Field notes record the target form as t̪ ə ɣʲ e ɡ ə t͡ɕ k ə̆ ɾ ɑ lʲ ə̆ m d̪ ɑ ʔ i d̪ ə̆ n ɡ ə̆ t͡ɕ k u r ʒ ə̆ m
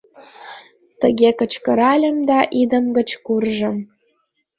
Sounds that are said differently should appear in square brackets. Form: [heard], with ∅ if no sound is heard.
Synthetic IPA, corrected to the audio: t̪ ə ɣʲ e [k] ə t͡ɕ k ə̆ ɾ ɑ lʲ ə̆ m d̪ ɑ ʔ i d̪ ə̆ [m] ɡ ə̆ t͡ɕ k u r ʒ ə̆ m